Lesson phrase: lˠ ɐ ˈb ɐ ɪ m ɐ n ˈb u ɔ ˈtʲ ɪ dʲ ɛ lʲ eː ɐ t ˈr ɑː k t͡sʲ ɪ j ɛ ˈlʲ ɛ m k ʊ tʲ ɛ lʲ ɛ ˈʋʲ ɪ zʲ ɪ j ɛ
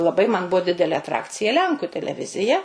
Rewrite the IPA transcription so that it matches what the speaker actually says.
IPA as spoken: lˠ ɐ ˈb ɐ ɪ m ɐ n ˈb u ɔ ˈdʲ ɪ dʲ ɛ lʲ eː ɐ t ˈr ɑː k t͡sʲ ɪ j ɛ ˈlʲ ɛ ŋ k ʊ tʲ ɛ lʲ ɛ ˈʋʲ ɪ zʲ ɪ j ɛ